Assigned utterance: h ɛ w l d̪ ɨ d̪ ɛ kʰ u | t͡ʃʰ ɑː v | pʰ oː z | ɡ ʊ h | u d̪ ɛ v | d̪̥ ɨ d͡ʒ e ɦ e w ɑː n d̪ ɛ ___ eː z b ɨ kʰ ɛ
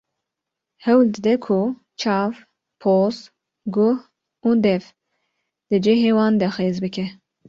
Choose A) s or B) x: B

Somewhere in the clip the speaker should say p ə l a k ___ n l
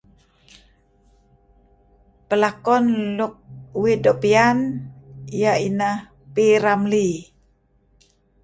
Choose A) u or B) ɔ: B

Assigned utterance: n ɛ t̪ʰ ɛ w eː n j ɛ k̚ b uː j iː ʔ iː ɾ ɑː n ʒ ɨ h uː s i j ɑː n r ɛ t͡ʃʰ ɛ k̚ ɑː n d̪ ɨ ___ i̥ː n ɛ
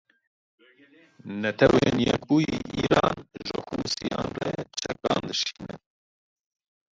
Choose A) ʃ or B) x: A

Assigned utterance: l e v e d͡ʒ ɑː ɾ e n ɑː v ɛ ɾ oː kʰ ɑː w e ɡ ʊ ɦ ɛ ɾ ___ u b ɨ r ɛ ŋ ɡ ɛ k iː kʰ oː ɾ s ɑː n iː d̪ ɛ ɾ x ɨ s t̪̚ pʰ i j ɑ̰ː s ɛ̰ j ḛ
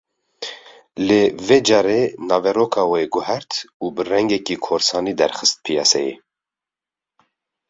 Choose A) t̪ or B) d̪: A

